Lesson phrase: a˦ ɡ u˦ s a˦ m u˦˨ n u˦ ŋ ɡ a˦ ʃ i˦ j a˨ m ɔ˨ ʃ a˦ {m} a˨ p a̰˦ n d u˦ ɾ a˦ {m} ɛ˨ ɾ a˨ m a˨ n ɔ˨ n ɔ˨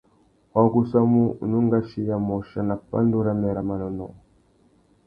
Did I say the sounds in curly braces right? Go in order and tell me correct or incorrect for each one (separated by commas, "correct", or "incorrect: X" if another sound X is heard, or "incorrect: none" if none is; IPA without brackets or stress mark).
incorrect: n, correct